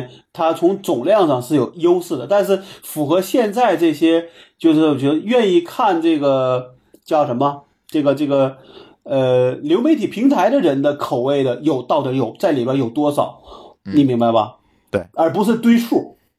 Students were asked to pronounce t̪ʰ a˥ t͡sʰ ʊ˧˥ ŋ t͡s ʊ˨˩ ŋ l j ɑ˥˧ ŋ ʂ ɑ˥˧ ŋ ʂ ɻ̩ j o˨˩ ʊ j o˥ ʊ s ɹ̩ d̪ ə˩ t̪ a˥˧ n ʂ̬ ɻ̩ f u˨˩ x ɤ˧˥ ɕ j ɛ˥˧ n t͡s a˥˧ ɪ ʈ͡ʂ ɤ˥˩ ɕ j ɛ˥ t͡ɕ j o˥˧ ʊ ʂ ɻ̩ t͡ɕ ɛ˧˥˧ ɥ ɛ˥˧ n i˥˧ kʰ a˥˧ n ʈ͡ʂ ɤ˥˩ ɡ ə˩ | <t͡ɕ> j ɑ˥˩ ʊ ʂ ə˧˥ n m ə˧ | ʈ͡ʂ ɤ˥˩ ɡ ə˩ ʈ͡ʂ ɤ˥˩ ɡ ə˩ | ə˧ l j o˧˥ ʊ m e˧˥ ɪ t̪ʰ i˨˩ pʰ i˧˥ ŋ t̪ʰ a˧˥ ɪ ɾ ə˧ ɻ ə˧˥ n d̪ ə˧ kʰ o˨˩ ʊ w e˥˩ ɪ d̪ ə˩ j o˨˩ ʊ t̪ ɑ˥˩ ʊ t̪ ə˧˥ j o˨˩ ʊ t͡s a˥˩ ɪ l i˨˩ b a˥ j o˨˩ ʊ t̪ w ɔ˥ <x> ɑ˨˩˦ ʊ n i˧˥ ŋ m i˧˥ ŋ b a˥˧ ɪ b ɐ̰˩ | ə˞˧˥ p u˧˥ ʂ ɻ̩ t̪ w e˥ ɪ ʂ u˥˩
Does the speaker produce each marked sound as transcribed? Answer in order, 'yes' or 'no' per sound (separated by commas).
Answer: yes, no